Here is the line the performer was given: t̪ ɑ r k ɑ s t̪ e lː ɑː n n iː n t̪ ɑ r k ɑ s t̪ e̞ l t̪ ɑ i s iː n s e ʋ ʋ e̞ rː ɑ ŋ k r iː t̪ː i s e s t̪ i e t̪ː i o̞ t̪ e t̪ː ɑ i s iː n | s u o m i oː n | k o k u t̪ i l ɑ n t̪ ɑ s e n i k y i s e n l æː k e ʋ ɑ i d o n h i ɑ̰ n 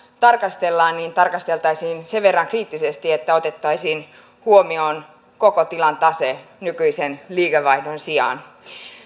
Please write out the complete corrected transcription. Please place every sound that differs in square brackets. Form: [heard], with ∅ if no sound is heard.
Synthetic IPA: t̪ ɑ r k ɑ s t̪ e lː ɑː n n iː n t̪ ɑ r k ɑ s t̪ e̞ l t̪ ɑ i s iː n s e ʋ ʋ e̞ rː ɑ ŋ k r iː t̪ː i s e s t̪ i e t̪ː [æ] o̞ t̪ e t̪ː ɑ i s iː n | [h] u o m i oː n | k o k [o] t̪ i l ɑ n t̪ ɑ s e n [y] k y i s e n l [iː] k e ʋ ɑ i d o n [s] i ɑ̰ n

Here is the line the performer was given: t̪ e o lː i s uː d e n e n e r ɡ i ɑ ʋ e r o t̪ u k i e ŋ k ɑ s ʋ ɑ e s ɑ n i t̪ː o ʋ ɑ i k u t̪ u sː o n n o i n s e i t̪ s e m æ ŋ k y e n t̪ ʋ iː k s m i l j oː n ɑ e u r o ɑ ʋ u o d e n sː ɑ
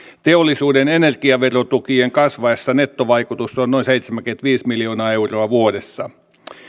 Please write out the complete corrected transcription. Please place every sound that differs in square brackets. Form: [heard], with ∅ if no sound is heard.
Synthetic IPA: t̪ e o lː i s uː d e n e n e r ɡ i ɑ ʋ e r o t̪ u k i e ŋ k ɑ s ʋ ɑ e [sː] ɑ n [e] t̪ː o ʋ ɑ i k u t̪ u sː o n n o i n s e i t̪ s e m æ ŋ k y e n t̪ ʋ iː [∅] s m i l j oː n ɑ e u r o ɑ ʋ u o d e [∅] sː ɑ

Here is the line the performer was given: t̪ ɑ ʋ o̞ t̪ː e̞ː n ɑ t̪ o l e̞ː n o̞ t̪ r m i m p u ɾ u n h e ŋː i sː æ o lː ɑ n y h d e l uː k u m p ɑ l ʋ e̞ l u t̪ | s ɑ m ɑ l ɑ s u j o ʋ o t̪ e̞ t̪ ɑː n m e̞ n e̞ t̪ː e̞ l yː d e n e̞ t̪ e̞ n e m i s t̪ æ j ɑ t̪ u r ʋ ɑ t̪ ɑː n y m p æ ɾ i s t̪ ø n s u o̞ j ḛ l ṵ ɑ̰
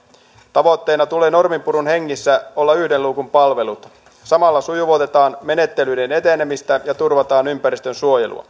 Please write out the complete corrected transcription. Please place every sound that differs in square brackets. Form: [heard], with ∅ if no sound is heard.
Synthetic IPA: t̪ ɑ ʋ o̞ t̪ː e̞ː n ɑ t̪ [u] l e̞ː n o̞ [∅] r m i m p u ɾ u n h e ŋː i sː æ o lː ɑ [∅] y h d e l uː k u m p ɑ l ʋ e̞ l u t̪ | s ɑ m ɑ [lː] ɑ s u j [u] ʋ o t̪ e̞ t̪ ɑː n m e̞ n e̞ t̪ː e̞ l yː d e n e̞ t̪ e̞ n e m i s t̪ æ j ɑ t̪ u r ʋ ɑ t̪ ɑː n y m p æ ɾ i s t̪ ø n s u o̞ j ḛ l ṵ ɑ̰

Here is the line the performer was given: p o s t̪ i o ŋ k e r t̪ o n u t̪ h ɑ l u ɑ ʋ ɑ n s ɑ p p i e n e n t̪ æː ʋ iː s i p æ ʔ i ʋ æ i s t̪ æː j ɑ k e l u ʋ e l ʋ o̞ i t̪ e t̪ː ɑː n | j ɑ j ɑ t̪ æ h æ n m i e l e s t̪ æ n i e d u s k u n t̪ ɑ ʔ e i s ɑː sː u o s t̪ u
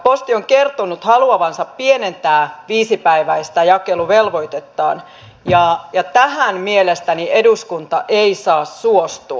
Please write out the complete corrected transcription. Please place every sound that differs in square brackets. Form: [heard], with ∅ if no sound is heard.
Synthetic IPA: p o s t̪ i o ŋ k e r t̪ o n u t̪ h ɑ l u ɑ ʋ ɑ n s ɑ p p i e n e n t̪ æː ʋ iː s i p æ [∅] i ʋ æ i s t̪ [æ] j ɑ k e l u ʋ e l ʋ o̞ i t̪ e t̪ː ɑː n | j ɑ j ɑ t̪ æ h æ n m i e l e s t̪ æ n i e d u s k u n t̪ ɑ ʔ e i s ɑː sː u o s t̪ u

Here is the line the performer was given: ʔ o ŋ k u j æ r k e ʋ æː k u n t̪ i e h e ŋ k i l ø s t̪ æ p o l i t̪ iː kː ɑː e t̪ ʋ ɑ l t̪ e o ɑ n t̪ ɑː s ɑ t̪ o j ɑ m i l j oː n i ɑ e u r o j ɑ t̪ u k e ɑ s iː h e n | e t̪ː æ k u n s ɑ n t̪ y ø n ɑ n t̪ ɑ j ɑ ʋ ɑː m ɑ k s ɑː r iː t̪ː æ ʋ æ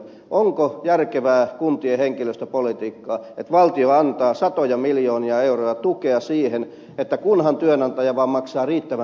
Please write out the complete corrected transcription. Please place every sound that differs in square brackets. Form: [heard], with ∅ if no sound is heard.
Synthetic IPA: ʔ o ŋ k [o] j æ r k e ʋ æː k u n t̪ i e h e ŋ k i l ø s t̪ æ p o l i t̪ iː kː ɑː e t̪ ʋ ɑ l t̪ [i] o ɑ n t̪ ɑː s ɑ t̪ o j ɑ m i l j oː n i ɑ e u r o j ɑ t̪ u k e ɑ s iː h e n | e t̪ː æ k u n [h] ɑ n t̪ y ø n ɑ n t̪ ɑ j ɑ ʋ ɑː m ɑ k s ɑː r iː t̪ː æ ʋ æ

